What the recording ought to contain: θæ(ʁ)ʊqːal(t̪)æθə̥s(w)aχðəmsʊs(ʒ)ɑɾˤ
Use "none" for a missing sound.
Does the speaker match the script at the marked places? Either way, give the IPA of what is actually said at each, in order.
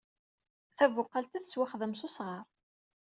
v, t̪, w, ʁ

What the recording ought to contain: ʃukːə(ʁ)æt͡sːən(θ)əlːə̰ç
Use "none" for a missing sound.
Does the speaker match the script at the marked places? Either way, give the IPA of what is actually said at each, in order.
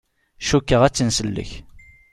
ʁ, s

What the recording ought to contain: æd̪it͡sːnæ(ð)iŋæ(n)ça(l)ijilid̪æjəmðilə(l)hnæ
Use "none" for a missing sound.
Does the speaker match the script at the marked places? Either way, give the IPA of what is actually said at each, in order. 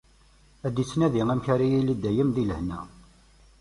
ð, m, ɾ, none

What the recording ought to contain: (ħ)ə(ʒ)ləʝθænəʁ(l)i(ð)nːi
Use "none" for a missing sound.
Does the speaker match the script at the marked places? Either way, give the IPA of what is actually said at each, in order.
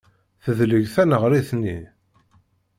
θ, ð, ɾ, θ

